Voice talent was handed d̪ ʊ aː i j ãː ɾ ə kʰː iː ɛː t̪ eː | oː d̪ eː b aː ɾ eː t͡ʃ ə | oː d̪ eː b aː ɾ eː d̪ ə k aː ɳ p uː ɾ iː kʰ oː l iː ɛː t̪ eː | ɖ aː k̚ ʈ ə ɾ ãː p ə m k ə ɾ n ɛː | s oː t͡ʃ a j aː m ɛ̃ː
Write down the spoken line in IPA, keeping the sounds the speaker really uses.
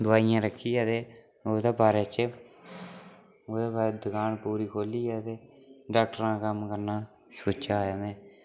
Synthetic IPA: d̪ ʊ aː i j ãː ɾ ə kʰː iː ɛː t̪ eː | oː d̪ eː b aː ɾ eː t͡ʃ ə | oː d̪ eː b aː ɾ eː d̪ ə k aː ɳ p uː ɾ iː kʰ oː l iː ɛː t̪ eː | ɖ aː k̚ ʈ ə ɾ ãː k ə m k ə ɾ n aː | s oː t͡ʃ a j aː m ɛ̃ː